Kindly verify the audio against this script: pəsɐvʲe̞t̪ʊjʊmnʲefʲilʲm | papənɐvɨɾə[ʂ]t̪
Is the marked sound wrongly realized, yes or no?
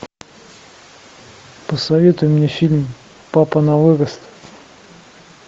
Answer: yes